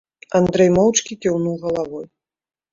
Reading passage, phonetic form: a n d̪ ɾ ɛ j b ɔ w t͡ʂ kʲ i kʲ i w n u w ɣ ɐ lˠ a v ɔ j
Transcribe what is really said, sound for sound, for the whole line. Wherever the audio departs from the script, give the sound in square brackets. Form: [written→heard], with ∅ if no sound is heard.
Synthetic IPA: a n d̪ ɾ ɛ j [b→m] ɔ w t͡ʂ kʲ i kʲ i w n u w ɣ ɐ lˠ a v ɔ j